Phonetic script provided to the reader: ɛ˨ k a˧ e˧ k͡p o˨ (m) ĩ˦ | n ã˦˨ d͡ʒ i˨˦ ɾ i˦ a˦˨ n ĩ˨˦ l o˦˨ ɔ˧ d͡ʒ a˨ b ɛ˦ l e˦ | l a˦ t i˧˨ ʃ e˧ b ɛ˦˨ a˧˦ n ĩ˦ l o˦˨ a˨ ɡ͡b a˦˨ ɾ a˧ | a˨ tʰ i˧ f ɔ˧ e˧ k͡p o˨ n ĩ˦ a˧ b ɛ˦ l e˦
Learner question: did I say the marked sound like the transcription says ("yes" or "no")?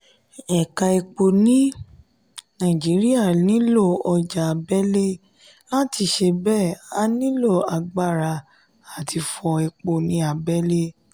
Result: no